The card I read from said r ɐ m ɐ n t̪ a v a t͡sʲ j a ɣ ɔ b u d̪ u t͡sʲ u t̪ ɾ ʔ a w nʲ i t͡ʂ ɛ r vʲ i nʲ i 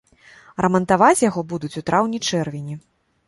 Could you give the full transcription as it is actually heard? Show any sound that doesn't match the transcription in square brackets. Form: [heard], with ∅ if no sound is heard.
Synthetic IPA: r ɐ m ɐ n t̪ a v a t͡sʲ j a ɣ ɔ b u d̪ u t͡sʲ u t̪ ɾ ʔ a w nʲ i t͡ʂ ɛ r vʲ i nʲ i